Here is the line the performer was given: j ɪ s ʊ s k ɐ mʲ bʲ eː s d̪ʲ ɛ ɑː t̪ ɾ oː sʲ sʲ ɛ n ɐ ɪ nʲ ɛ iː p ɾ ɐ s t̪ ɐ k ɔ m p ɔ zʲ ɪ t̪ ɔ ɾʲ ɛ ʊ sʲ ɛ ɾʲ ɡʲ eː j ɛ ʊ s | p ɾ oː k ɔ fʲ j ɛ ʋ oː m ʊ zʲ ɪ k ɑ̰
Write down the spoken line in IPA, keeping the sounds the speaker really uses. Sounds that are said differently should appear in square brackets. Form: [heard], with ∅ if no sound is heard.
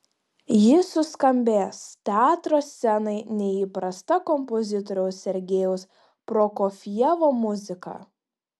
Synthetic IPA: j ɪ s ʊ s k ɐ mʲ bʲ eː s [t̪ʲ] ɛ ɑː t̪ ɾ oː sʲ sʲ ɛ n ɐ ɪ nʲ ɛ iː p ɾ ɐ s t̪ ɐ k ɔ m p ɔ zʲ ɪ t̪ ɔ ɾʲ ɛ ʊ sʲ ɛ ɾʲ ɡʲ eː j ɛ ʊ s | p ɾ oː k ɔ fʲ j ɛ ʋ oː m ʊ zʲ ɪ k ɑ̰